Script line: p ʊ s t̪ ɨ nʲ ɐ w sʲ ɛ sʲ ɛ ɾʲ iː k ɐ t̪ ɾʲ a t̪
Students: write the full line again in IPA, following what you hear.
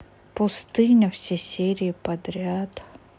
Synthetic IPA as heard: p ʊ s t̪ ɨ nʲ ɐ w sʲ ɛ sʲ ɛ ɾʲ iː p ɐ d̪ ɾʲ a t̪